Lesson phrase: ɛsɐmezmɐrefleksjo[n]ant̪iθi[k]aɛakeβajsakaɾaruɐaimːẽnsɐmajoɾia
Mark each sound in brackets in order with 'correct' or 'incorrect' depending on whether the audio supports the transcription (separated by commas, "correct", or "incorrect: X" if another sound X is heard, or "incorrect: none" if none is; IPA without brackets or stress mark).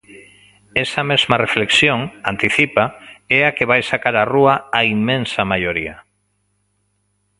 incorrect: ŋ, incorrect: p